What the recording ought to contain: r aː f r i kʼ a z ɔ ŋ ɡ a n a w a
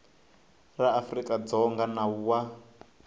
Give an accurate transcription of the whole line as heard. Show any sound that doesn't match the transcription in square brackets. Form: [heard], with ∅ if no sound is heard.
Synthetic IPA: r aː f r i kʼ a [d͡z] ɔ ŋ ɡ a n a w a